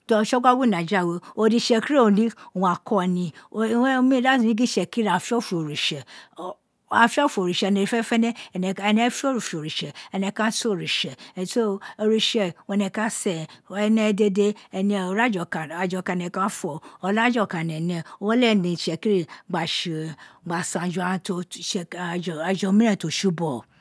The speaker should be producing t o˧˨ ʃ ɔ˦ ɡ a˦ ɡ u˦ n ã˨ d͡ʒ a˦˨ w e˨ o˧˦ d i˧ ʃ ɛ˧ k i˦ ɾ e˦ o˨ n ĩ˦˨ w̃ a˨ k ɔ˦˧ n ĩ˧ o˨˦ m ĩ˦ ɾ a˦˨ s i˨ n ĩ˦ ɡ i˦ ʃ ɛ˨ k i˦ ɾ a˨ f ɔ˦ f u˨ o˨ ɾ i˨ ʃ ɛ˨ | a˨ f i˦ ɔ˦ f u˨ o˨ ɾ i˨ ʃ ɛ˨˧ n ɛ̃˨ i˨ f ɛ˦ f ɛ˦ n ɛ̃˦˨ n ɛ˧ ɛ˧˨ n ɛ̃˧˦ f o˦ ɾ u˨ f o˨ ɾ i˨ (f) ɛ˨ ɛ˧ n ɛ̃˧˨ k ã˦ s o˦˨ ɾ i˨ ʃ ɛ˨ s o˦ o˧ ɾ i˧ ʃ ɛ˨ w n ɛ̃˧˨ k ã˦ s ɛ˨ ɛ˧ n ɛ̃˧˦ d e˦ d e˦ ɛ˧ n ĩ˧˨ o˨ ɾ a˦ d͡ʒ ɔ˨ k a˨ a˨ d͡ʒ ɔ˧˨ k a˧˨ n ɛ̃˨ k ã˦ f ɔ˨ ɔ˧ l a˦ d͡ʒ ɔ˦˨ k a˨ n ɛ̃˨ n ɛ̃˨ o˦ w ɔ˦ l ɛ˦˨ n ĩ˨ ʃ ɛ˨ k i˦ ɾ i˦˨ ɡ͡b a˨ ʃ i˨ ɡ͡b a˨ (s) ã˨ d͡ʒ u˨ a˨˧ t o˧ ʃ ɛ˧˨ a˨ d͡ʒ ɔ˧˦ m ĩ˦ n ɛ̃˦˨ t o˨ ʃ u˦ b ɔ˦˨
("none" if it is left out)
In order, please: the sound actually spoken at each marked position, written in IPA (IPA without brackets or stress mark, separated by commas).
ʃ, s